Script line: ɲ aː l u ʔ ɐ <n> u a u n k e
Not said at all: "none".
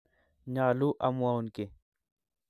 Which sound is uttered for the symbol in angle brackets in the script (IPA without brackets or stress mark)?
m